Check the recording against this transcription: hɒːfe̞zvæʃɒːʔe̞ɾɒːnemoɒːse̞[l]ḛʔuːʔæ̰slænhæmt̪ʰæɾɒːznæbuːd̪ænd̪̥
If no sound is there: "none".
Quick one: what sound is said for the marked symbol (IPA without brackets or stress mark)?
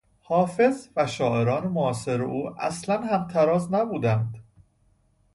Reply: ɾ